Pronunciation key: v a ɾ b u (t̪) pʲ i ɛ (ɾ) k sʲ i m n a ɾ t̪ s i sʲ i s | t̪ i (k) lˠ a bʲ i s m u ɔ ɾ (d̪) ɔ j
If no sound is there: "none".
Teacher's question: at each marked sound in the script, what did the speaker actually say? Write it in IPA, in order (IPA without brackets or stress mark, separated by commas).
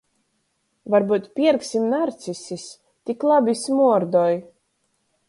t̪, ɾ, k, d̪